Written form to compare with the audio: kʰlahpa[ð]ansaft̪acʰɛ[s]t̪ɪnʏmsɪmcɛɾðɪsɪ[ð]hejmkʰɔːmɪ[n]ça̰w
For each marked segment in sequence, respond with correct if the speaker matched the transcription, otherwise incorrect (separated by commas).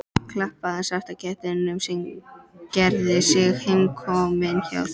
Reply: correct, incorrect, incorrect, correct